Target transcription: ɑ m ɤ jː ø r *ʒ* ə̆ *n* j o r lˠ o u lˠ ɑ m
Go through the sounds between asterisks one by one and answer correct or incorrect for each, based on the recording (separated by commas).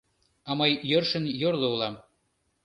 incorrect, correct